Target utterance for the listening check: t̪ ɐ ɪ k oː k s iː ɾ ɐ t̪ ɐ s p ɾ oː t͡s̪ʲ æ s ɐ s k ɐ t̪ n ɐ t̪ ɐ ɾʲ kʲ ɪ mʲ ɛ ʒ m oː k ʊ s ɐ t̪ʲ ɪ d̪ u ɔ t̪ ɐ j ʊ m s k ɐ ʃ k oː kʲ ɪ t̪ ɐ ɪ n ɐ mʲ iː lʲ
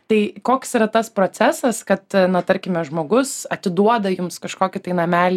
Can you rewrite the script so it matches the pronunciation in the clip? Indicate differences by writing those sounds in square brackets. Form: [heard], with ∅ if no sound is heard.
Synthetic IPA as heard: t̪ ɐ ɪ k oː k s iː ɾ ɐ t̪ ɐ s p ɾ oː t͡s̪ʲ æ s ɐ s k ɐ t̪ n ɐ t̪ ɐ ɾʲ kʲ ɪ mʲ ɛ ʒ m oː [ɡ] ʊ s ɐ t̪ʲ ɪ d̪ u ɔ [d̪] ɐ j ʊ m s k ɐ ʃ k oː kʲ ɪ t̪ ɐ ɪ n ɐ mʲ [æː] lʲ